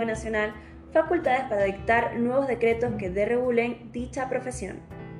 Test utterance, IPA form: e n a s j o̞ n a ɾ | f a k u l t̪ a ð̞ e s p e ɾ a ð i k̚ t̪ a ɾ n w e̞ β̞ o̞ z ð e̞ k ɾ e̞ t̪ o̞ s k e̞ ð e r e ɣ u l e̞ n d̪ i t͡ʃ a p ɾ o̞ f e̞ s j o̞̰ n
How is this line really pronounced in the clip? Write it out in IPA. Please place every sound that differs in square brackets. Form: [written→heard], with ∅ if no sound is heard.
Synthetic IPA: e n a s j o̞ n a [ɾ→l] | f a k u l t̪ a ð̞ e s p [e→a] ɾ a ð i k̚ t̪ a ɾ n w e̞ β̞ o̞ z ð e̞ k ɾ e̞ t̪ o̞ s k e̞ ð e r e ɣ u l e̞ n d̪ i t͡ʃ a p ɾ o̞ f e̞ s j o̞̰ n